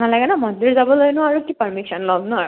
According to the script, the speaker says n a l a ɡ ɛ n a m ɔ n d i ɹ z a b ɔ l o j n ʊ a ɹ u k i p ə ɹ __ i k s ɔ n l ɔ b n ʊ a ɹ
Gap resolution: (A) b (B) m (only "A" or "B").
B